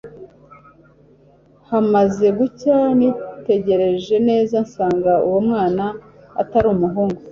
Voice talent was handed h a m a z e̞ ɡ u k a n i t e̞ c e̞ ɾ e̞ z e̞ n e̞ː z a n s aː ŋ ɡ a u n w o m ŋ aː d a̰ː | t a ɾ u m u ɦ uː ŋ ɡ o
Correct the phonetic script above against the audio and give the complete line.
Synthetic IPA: h a m a z e̞ ɡ u c a n i t e̞ ɟ e̞ ɾ e̞ ʒ e̞ n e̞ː z a n s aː ŋ ɡ a u w o m ŋ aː n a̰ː | t a ɾ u m u ɦ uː ŋ ɡ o